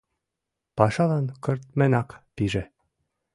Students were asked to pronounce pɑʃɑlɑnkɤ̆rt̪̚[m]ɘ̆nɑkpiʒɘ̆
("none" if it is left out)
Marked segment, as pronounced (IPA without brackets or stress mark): m